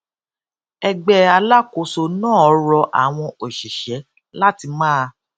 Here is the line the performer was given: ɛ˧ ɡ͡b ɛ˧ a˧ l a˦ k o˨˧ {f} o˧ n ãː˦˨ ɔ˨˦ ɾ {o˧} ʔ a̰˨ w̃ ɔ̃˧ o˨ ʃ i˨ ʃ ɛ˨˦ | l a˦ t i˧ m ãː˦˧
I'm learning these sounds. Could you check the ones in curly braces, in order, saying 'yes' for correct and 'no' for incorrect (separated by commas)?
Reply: no, no